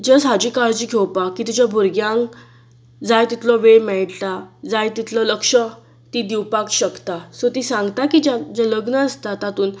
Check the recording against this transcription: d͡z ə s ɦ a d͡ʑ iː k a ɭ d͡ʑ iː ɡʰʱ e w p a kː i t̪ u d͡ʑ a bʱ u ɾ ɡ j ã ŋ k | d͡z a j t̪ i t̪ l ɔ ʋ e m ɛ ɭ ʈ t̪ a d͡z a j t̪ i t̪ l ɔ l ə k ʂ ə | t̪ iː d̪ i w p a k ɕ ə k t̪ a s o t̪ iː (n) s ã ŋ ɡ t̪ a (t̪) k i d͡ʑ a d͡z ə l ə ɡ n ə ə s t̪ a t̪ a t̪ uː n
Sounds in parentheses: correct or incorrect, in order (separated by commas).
incorrect, incorrect